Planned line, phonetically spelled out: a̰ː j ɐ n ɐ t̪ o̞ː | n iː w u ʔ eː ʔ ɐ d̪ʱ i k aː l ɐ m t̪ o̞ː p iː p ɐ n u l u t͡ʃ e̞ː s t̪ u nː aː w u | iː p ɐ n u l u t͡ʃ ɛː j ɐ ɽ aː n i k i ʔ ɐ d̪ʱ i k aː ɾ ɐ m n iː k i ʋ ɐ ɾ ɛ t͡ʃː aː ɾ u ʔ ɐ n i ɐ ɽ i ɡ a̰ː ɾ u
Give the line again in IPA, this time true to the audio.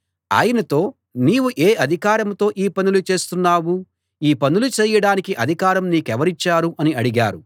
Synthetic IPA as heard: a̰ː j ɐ n ɐ t̪ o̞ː | n iː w u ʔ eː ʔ ɐ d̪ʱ i k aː ɾ ɐ m t̪ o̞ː ʔ iː p ɐ n u l u t͡ʃ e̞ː s t̪ u nː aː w u | iː p ɐ n u l u t͡ʃ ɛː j ɐ ɽ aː n i k i ʔ ɐ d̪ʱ i k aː ɾ ɐ m n iː k ɛ ʋ ɐ ɾ i t͡ʃː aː ɾ u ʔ ɐ n i ɐ ɽ i ɡ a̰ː ɾ u